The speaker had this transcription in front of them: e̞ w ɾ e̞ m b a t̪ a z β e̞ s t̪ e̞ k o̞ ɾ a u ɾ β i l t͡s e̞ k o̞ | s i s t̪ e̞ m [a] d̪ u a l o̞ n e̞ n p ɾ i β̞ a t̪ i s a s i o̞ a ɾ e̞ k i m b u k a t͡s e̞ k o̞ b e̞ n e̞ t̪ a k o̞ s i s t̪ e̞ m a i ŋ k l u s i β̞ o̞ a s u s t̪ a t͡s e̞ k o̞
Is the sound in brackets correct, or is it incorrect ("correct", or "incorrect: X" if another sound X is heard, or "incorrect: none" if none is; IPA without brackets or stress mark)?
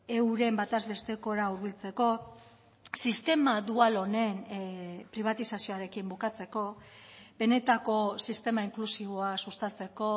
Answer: correct